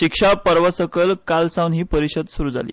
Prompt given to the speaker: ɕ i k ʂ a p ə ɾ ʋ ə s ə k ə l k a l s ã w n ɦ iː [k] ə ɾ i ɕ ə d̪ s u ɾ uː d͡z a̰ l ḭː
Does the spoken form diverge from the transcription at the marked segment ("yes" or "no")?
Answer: yes